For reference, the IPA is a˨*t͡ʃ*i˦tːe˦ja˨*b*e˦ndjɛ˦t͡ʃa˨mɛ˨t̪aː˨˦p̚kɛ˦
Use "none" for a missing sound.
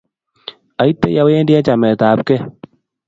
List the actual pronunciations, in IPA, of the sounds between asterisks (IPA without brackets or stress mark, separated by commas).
none, w